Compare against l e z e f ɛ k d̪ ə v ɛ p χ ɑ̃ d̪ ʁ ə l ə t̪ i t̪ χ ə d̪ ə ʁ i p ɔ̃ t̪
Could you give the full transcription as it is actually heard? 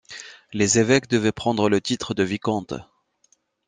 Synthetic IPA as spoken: l e z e v ɛ k d̪ ə v ɛ p χ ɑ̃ d̪ ʁ ə l ə t̪ i t̪ χ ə d̪ ə v i k ɔ̃ t̪